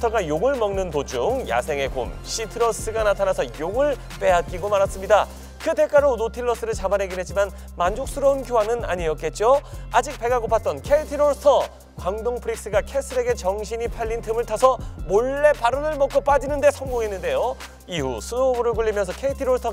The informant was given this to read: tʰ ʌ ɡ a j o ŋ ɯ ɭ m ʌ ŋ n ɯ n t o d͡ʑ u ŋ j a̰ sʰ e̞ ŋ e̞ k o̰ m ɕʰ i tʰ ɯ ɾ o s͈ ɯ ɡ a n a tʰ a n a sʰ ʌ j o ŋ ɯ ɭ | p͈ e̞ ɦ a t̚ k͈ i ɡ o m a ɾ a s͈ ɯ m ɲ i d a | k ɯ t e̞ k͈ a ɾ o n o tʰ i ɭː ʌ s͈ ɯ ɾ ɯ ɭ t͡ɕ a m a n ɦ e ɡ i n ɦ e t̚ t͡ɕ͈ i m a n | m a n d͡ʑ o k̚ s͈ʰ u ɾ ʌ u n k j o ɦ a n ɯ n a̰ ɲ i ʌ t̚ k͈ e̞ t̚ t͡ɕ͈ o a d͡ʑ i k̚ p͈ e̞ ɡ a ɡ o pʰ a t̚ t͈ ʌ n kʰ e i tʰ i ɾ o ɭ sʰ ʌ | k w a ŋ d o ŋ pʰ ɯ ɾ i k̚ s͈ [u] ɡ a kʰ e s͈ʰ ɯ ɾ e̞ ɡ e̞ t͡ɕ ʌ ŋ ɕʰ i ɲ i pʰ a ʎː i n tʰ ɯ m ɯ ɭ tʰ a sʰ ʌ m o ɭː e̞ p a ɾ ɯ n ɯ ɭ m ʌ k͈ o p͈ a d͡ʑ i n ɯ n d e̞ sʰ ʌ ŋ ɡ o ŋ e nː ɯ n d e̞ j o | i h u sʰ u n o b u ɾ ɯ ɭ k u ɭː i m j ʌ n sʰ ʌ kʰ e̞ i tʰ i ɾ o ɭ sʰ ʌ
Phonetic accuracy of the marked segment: incorrect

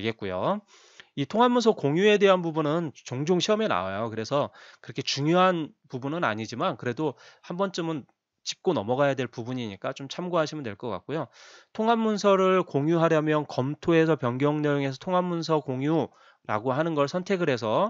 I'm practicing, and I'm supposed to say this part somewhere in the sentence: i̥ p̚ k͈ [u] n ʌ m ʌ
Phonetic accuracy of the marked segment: incorrect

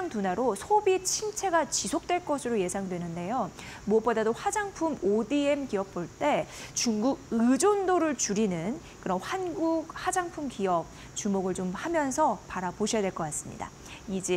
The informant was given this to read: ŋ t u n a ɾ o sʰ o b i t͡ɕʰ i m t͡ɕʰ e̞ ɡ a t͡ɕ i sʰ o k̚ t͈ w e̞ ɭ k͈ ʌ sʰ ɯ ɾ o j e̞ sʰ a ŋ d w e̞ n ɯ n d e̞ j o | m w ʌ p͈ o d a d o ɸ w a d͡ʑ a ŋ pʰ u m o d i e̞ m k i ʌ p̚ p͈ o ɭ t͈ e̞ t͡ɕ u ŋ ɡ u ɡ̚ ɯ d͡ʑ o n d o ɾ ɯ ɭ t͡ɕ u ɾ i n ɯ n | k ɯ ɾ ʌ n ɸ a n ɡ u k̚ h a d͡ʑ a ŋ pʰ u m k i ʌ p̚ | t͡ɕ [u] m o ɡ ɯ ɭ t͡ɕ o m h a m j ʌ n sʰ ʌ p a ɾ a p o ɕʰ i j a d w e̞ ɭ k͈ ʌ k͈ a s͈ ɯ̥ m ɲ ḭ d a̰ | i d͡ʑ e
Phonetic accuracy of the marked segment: correct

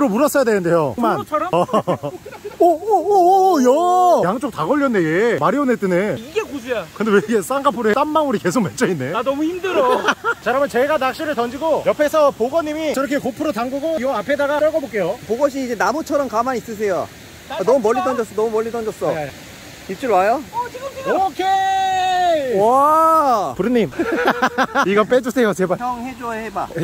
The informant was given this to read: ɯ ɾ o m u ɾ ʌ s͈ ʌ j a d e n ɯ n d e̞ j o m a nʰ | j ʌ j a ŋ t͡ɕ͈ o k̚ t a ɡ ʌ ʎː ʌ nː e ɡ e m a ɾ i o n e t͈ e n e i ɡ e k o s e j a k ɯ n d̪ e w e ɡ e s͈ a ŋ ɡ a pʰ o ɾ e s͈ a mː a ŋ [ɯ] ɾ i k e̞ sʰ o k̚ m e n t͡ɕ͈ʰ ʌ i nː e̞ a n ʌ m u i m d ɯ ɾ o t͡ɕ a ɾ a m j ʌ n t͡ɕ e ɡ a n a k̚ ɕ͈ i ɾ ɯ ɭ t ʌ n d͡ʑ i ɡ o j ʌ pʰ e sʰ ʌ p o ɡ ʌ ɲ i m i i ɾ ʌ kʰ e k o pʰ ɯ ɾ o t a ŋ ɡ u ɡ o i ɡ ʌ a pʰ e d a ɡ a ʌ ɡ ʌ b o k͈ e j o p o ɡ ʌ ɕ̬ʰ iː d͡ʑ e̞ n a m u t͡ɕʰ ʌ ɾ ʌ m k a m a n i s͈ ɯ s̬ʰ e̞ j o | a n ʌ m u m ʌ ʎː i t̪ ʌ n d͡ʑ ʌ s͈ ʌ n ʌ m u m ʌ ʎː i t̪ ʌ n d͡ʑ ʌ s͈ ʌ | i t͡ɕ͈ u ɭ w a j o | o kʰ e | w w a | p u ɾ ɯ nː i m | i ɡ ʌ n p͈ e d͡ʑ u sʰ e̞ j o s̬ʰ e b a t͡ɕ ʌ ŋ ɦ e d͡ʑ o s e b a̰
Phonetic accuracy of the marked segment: incorrect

